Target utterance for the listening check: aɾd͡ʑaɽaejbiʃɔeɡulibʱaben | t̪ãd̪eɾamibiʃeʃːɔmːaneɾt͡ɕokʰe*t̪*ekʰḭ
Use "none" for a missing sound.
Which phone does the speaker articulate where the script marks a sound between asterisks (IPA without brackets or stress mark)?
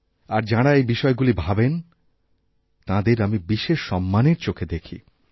d̪